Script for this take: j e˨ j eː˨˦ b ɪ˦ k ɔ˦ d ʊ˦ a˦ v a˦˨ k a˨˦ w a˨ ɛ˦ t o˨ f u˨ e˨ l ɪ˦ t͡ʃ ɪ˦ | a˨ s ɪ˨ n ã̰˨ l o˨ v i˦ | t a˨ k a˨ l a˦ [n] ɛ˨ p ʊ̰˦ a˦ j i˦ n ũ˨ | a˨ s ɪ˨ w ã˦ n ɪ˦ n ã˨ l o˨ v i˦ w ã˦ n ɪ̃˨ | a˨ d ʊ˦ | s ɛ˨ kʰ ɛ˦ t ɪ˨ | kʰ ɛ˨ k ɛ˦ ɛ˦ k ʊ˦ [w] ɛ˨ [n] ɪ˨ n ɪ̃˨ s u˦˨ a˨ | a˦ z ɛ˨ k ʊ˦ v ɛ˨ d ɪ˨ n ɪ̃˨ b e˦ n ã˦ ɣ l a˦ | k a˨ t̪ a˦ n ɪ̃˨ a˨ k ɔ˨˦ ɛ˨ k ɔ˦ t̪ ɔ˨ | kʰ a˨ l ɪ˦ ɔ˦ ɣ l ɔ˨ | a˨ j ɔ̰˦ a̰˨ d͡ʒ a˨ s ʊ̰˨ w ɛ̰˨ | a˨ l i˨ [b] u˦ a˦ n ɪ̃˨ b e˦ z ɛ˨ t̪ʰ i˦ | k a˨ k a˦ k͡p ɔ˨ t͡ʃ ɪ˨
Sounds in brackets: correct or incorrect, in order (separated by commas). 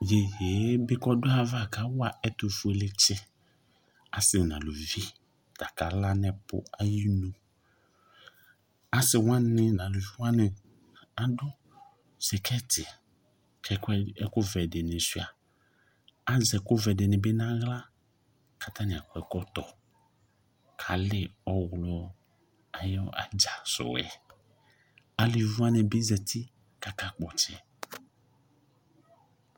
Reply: correct, incorrect, incorrect, incorrect